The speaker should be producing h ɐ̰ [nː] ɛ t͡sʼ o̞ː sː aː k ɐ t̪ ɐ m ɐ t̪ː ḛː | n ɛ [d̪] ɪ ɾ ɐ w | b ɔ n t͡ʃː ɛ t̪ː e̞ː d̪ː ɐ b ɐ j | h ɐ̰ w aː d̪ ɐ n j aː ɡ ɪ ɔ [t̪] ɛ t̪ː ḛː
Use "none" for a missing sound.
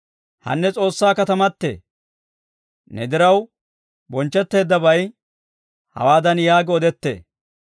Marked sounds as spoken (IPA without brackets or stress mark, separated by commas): nː, d̪, d̪